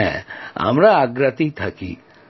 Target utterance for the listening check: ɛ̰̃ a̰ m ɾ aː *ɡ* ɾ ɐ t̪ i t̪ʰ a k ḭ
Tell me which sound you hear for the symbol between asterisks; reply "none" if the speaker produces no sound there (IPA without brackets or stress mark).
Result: ɡ